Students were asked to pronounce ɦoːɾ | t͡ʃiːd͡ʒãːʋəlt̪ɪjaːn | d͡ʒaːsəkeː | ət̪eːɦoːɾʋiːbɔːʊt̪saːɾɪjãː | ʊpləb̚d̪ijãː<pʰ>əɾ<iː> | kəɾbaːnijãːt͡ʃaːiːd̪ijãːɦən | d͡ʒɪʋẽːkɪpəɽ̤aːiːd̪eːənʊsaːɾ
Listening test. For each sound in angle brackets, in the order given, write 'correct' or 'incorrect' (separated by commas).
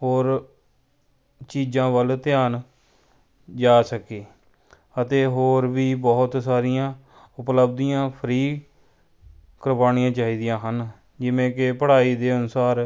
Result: correct, correct